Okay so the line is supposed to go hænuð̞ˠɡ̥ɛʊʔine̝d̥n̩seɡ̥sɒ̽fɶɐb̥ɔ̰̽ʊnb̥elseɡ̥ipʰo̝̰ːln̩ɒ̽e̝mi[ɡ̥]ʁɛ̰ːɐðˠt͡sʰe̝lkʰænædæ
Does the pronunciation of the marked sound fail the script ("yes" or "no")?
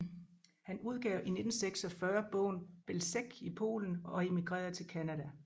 no